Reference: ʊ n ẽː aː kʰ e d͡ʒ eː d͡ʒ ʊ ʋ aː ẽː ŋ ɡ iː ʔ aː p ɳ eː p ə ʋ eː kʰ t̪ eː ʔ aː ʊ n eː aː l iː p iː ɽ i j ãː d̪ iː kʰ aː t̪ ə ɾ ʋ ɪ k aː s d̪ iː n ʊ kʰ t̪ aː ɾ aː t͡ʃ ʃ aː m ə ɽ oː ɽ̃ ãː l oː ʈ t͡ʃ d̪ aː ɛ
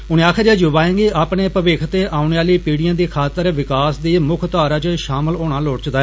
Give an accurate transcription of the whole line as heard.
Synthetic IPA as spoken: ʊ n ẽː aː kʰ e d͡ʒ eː d͡ʒ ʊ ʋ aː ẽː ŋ ɡ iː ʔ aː p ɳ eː p ə ʋ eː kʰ t̪ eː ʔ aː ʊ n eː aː l iː p iː ɽ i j ãː d̪ iː kʰ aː t̪ ə ɾ ʋ ɪ k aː s d̪ iː m ʊ kʰ t̪ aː ɾ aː t͡ʃ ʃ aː m ə l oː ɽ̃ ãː l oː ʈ t͡ʃ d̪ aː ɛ